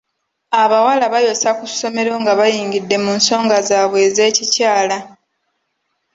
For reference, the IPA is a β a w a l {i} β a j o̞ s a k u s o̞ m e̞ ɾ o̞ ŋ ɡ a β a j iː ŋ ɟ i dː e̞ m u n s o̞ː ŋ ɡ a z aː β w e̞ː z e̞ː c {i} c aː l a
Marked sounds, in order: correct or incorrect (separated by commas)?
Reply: incorrect, correct